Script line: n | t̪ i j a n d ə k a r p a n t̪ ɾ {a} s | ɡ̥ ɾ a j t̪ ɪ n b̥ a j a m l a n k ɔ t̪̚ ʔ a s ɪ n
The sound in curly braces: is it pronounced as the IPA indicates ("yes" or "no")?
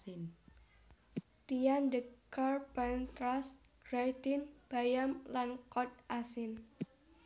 yes